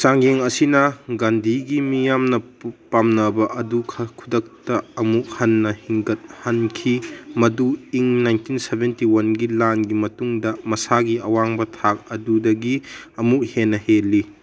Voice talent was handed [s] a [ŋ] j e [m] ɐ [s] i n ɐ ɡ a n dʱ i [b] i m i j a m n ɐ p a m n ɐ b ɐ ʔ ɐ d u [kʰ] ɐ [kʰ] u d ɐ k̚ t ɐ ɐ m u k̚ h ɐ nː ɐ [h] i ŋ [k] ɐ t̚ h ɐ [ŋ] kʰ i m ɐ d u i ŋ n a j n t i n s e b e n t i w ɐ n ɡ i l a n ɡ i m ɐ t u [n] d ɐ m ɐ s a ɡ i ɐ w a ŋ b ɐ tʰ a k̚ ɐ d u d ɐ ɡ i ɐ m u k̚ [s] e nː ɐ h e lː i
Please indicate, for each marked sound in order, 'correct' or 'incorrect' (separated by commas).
correct, correct, incorrect, correct, incorrect, correct, correct, correct, incorrect, incorrect, incorrect, incorrect